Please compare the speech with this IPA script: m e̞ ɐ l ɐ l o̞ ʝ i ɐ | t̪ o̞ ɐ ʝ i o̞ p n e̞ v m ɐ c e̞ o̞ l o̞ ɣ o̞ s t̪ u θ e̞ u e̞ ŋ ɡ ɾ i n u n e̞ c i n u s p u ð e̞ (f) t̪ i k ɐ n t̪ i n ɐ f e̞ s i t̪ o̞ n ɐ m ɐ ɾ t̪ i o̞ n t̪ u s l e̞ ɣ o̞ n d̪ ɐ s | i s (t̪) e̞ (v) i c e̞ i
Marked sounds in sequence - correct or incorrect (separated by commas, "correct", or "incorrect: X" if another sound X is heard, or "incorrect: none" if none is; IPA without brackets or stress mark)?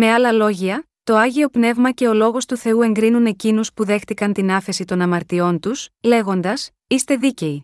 incorrect: x, correct, incorrect: ð